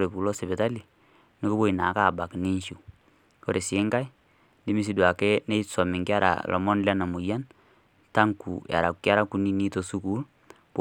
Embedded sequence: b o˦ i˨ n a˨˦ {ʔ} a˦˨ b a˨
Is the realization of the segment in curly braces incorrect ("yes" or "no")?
yes